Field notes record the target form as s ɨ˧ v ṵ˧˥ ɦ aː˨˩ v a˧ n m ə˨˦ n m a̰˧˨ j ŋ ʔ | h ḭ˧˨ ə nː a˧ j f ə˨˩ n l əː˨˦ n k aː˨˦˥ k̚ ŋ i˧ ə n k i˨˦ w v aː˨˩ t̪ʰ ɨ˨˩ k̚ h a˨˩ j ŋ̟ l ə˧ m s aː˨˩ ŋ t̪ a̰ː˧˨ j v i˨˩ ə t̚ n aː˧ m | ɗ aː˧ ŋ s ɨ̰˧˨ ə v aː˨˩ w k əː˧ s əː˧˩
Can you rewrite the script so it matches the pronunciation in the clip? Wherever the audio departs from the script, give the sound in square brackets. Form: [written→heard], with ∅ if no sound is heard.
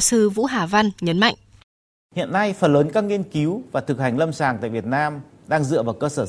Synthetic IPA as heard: s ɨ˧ v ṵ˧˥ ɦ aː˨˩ v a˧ n [m→ɲ] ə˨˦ n m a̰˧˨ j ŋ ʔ | h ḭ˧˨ ə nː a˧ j f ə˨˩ n l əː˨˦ n k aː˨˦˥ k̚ ŋ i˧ ə n k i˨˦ w v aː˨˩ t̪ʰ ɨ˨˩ k̚ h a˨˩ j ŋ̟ l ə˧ m s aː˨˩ ŋ t̪ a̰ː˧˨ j v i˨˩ ə t̚ n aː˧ m | ɗ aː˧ ŋ [s→z] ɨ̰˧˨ ə v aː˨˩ w k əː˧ s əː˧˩